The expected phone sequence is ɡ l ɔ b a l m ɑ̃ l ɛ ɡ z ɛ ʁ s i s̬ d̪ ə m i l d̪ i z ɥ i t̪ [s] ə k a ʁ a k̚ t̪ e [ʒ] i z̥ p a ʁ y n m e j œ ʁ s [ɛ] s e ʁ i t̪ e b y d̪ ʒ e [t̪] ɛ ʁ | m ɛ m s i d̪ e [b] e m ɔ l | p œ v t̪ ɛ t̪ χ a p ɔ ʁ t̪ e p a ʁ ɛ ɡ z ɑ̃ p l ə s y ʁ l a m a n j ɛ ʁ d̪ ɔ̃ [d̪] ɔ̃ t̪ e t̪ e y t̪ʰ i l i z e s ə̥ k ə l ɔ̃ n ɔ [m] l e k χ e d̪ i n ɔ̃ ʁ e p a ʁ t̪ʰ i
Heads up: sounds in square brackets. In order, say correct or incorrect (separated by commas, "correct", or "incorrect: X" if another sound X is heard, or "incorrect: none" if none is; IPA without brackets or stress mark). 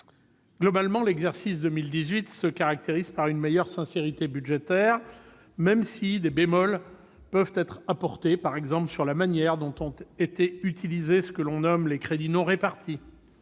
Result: correct, incorrect: ʁ, incorrect: ɛ̃, correct, correct, incorrect: t̪, correct